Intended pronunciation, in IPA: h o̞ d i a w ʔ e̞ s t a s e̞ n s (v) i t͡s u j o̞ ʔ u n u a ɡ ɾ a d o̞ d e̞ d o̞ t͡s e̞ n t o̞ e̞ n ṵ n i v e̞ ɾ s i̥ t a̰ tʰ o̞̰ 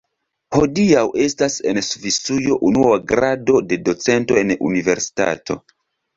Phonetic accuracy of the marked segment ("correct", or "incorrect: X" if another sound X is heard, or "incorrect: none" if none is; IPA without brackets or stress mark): correct